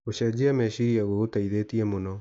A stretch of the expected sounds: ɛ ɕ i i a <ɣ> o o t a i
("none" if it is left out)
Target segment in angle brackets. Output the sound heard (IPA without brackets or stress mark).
ɣ